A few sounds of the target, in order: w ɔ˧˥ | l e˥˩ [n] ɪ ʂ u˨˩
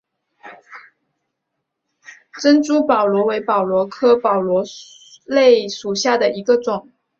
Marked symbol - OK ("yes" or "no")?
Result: no